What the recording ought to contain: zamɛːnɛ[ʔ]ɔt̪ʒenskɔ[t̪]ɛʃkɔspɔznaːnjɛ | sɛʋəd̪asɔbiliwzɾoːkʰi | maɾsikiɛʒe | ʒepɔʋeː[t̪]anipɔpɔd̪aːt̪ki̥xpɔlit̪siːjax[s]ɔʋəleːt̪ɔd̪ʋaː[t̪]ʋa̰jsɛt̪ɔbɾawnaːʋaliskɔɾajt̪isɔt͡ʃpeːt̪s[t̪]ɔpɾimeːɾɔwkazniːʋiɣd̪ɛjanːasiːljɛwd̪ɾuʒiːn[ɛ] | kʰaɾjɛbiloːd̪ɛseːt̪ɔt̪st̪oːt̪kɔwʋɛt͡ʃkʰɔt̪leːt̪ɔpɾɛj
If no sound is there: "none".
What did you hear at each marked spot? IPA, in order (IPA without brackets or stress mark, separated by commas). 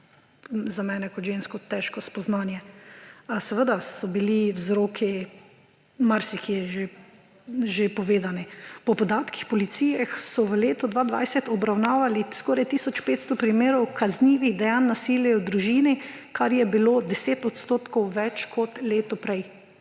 k, t̪, d̪, s, d̪, t̪, i